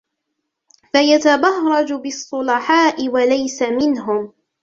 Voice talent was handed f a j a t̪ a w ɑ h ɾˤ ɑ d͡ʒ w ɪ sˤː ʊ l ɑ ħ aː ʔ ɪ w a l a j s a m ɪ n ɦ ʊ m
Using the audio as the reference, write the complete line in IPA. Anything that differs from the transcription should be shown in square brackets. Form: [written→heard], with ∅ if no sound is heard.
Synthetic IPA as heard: f a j a t̪ a [w→b] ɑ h ɾˤ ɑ d͡ʒ [w→b] ɪ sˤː ʊ l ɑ ħ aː ʔ ɪ w a l a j s a m ɪ n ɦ ʊ m